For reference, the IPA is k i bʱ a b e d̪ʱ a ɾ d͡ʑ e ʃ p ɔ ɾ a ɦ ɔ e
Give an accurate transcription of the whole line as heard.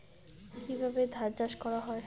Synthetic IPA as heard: k i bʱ a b e d̪ʱ a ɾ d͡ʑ a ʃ k ɔ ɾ a ɦ ɔ e